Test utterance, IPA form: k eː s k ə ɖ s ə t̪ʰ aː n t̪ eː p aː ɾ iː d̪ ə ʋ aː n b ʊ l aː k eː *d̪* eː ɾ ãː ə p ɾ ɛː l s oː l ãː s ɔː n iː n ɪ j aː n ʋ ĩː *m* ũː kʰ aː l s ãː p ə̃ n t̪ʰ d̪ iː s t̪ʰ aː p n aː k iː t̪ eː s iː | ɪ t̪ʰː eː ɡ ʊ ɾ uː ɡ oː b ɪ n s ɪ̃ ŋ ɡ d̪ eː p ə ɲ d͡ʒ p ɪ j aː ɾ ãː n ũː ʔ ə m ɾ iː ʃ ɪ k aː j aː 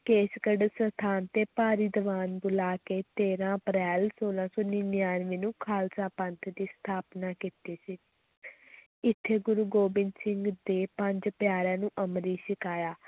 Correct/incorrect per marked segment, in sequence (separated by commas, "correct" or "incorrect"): incorrect, incorrect